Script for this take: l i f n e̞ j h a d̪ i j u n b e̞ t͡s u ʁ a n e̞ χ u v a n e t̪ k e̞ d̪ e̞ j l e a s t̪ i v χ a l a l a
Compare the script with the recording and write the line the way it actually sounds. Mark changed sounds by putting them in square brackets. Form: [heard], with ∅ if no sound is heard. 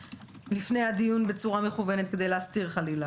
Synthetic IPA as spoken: l i f n e̞ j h a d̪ i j u n b e̞ t͡s u ʁ a [m] e̞ χ u v [e] n e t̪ k e̞ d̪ e̞ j l e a s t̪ i [ʁ] χ a l [i] l a